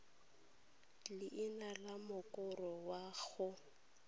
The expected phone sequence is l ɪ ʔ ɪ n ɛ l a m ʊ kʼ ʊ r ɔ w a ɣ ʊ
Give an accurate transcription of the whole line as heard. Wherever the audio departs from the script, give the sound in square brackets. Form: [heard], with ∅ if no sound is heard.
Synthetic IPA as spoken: l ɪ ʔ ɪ n [a] l a m ʊ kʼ ʊ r ɔ w a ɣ ʊ